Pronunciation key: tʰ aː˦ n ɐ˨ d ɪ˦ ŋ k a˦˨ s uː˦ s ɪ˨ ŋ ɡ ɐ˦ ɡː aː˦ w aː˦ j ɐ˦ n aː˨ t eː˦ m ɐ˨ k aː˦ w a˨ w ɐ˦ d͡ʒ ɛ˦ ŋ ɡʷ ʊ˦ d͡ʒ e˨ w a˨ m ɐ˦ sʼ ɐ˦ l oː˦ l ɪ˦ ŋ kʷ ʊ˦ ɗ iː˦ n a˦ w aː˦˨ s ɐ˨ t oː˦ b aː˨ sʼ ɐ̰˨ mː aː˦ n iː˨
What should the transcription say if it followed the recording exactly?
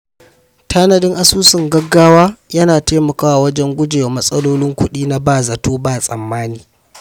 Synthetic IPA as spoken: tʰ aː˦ n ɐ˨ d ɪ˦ ŋ ʔ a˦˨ s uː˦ s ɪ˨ ŋ ɡ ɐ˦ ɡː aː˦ w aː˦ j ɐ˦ n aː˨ t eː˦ m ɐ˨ k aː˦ w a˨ w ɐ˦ d͡ʒ ɛ˦ ŋ ɡʷ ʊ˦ d͡ʒ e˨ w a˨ m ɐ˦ sʼ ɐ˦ l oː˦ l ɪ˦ ŋ kʷ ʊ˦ ɗ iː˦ n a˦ b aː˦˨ z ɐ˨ t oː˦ b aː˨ sʼ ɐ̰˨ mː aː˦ n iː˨